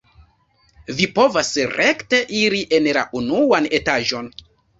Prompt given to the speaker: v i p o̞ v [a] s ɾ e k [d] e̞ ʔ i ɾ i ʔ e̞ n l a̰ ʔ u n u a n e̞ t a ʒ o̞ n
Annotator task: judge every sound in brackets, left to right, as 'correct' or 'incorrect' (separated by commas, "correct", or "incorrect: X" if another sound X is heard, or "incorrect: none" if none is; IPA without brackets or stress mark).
correct, incorrect: t